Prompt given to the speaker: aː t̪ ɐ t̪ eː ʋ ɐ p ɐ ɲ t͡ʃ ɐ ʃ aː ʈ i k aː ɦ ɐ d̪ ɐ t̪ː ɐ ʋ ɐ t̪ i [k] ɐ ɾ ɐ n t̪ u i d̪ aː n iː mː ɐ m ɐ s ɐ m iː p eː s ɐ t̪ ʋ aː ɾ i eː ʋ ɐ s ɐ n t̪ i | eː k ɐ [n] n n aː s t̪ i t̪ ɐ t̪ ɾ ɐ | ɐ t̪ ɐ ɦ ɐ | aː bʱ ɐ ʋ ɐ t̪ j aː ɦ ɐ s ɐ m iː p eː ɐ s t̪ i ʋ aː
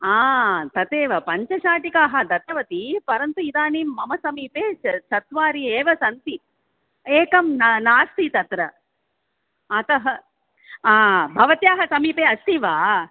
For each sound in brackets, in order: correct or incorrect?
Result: incorrect: p, incorrect: m

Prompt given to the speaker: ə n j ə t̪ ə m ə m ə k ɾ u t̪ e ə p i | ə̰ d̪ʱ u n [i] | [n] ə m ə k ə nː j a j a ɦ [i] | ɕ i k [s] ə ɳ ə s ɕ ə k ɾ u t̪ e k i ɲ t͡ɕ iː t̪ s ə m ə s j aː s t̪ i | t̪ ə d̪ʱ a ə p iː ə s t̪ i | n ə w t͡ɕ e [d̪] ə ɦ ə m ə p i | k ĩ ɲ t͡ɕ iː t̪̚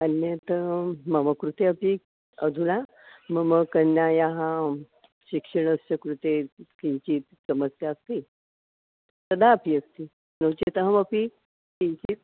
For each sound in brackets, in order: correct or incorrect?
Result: incorrect: a, incorrect: m, incorrect: a, incorrect: ʂ, incorrect: t̪

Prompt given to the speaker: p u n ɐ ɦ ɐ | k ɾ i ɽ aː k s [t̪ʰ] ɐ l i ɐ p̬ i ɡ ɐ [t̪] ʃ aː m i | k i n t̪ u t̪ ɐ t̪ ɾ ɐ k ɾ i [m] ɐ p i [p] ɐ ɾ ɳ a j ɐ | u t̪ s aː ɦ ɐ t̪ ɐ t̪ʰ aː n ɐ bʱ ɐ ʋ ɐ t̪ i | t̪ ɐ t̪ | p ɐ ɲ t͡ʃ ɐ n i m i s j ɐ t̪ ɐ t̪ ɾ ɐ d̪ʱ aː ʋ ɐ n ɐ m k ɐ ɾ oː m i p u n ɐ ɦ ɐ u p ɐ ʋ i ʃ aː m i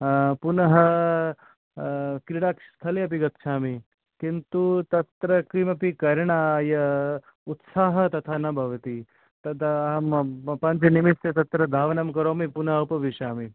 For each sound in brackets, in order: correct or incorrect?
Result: correct, correct, correct, incorrect: k

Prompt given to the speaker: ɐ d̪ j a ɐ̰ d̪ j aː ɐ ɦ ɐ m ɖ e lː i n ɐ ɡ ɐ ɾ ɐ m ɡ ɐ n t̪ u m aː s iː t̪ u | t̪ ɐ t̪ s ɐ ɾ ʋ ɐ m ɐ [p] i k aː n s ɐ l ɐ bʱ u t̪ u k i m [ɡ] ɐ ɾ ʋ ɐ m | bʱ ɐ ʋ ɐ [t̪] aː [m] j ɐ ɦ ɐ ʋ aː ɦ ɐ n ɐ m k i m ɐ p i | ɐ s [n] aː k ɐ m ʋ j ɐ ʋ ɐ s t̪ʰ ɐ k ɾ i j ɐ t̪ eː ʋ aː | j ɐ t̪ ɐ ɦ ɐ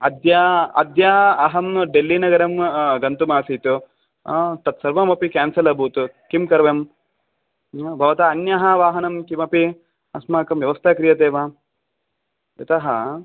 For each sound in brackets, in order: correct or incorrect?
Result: correct, incorrect: k, correct, incorrect: n, incorrect: m

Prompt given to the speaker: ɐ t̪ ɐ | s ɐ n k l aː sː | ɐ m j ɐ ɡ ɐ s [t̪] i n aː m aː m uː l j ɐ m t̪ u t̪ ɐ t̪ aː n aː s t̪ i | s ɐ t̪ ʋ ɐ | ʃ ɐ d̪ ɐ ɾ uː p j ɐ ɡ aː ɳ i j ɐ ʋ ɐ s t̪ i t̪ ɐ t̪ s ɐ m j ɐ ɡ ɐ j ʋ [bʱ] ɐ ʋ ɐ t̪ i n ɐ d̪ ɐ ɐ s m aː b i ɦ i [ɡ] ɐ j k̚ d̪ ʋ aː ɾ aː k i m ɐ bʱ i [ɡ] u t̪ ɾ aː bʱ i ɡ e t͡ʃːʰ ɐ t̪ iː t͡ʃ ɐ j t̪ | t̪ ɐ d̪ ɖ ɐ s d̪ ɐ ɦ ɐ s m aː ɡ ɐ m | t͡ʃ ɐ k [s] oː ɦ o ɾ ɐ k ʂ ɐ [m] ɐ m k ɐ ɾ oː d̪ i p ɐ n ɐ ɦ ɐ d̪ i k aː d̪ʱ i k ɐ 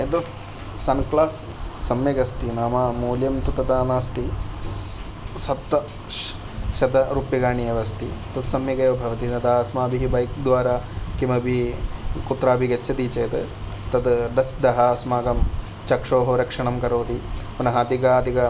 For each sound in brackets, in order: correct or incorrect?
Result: correct, correct, incorrect: b, incorrect: k, incorrect: ʂ, incorrect: ɳ

